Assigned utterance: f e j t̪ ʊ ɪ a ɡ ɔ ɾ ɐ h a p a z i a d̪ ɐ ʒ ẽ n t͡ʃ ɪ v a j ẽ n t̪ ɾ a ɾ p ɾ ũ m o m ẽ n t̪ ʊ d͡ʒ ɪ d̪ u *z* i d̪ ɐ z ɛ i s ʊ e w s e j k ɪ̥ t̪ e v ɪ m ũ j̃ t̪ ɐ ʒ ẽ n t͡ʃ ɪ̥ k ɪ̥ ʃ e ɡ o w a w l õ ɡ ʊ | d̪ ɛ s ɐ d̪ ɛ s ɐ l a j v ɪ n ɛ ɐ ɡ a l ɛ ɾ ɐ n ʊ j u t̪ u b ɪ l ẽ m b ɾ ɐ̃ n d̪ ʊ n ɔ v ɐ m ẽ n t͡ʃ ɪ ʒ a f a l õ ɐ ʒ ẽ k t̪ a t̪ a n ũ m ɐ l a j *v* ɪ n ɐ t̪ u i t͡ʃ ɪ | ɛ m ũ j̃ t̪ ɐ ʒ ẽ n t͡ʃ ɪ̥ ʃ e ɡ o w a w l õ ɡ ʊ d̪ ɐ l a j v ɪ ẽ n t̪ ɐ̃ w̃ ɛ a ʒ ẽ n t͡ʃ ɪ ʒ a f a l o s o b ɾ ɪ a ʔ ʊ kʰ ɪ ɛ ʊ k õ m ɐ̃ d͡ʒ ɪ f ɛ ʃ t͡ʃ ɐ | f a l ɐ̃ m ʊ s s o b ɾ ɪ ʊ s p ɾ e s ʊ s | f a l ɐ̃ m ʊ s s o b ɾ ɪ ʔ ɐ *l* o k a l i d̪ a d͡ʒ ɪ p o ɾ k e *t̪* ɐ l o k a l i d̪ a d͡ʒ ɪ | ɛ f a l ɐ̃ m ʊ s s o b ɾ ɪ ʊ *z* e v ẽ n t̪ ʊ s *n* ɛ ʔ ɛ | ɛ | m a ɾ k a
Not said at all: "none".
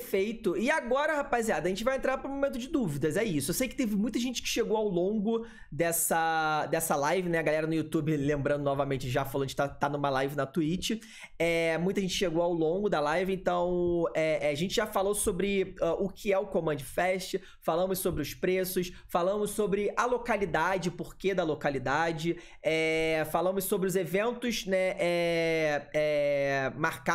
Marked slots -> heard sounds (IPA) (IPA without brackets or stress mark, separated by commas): v, v, l, d̪, z, n